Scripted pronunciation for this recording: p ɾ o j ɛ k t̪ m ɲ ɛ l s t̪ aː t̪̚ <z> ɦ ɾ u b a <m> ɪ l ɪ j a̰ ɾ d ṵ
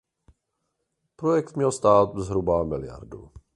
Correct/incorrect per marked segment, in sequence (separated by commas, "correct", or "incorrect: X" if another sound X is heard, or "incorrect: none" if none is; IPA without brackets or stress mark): correct, correct